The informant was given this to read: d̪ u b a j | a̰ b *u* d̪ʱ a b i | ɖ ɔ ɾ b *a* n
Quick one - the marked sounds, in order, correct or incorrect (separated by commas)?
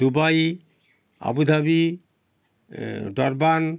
correct, correct